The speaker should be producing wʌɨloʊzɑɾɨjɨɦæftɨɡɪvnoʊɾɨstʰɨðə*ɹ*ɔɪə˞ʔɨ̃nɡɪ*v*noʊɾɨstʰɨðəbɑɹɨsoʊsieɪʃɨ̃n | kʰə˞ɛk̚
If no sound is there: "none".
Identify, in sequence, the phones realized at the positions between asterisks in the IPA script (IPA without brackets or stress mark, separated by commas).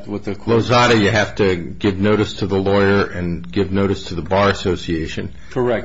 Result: l, v